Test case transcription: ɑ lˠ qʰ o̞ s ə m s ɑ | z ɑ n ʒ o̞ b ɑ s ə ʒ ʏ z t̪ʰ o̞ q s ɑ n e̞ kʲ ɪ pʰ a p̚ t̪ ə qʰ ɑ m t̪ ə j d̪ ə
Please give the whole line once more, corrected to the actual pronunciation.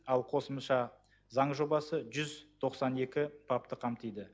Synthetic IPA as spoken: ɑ lˠ qʰ o̞ s ə m ʃ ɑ | z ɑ ɴ ʒ o̞ b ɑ s ə ʒ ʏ z t̪ʰ o̞ q s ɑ n e̞ kʲ ɪ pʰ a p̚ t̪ ə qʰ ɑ m t̪ ə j d̪ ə

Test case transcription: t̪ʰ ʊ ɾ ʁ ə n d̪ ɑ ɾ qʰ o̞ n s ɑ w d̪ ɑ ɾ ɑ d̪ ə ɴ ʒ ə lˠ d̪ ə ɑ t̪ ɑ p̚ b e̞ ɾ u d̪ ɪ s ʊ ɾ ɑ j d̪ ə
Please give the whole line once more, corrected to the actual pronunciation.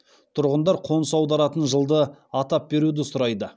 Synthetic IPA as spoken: t̪ʰ ʊ ɾ ʁ ə n d̪ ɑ ɾ qʰ o̞ n s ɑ w d̪ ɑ ɾ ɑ t̪ ə n ʒ ə lˠ d̪ ə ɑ t̪ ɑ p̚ b e̞ ɾ u d̪ ɪ s ʊ ɾ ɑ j d̪ ə

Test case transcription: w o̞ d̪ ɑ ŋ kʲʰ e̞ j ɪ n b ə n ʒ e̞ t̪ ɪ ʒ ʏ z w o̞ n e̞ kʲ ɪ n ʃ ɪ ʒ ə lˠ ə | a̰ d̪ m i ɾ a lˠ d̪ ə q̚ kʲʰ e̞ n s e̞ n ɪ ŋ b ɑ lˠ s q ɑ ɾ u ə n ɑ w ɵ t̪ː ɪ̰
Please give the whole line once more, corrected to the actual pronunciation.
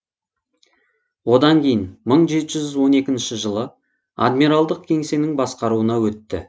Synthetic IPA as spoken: w o̞ d̪ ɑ ŋ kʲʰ e̞ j ɪ n m ə ɴ ʒ e̞ t̪ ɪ ʒ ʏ z w o̞ n e̞ kʲ ɪ n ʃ ɪ ʒ ə lˠ ə | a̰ d̪ m i ɾ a lˠ d̪ ə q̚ kʲʰ e̞ ŋ s e̞ n ɪ ŋ b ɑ s q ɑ ɾ u ə n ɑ w ɵ t̪ː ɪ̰

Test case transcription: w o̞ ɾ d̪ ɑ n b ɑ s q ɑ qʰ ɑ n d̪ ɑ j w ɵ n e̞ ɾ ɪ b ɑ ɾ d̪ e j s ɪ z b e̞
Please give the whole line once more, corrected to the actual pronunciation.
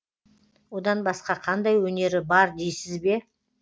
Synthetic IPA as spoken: w o̞ d̪ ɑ n b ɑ s q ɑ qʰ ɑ n d̪ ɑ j w ɵ n e̞ ɾ ɪ b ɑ ɾ d̪ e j s ɪ z b e̞

